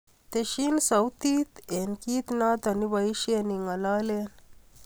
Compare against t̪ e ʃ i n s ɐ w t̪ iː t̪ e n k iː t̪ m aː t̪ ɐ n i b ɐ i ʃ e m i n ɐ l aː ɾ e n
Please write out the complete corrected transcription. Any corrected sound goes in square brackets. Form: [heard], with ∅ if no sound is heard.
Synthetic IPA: t̪ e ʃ i n s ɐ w t̪ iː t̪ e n k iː t̪ [n] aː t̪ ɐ n i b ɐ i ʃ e [n] i [ŋ] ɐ l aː [l] e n